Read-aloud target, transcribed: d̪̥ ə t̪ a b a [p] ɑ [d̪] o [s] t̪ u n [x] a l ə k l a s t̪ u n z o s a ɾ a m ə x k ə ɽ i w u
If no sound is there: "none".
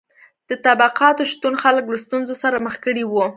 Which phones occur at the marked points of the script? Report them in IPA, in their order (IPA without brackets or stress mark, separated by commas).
q, t̪, ʃ, x